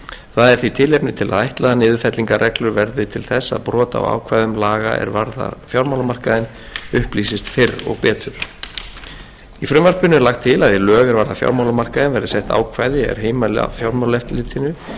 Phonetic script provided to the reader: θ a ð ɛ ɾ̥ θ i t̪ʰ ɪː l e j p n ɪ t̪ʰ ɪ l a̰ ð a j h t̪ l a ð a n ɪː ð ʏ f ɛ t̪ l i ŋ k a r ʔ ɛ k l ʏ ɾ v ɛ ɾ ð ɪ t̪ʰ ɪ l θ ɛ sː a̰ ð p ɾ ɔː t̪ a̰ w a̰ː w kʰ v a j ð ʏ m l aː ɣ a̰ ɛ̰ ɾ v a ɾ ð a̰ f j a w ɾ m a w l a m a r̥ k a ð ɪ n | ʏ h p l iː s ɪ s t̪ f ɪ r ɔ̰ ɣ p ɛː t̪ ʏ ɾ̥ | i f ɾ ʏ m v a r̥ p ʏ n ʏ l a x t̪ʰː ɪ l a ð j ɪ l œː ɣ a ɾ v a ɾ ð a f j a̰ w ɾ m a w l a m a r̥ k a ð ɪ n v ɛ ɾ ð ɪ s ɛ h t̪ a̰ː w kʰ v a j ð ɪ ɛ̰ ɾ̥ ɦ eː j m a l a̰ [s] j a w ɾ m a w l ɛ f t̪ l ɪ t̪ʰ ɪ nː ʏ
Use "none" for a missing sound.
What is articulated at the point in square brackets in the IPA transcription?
f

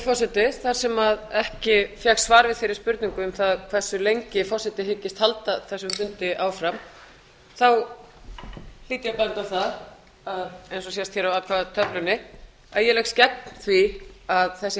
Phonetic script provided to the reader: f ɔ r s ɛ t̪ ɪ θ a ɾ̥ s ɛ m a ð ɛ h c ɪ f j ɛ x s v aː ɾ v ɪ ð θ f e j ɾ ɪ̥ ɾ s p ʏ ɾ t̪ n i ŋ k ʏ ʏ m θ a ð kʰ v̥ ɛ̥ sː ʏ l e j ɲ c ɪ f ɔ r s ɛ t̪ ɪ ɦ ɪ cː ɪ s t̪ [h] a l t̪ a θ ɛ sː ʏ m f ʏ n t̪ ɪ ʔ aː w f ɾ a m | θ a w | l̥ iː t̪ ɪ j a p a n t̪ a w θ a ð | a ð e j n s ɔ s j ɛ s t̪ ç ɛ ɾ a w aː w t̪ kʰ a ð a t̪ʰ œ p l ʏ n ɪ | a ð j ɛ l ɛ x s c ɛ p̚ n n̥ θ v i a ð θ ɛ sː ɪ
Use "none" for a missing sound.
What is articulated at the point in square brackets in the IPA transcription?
h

